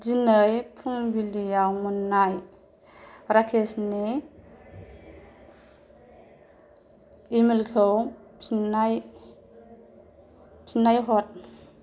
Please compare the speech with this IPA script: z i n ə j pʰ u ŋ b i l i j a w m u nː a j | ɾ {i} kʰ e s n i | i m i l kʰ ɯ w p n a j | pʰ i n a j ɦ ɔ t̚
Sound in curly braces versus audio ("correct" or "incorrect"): incorrect